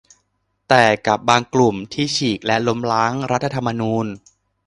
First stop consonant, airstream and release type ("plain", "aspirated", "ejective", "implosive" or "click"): plain